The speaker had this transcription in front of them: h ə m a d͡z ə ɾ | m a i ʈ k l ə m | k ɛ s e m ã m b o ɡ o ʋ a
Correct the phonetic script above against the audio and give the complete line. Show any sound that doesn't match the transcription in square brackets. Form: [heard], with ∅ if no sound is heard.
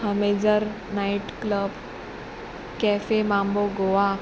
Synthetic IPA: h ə m [e] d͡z ə ɾ | [n] a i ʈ k l ə [b] | k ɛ [f] e m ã m b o ɡ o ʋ a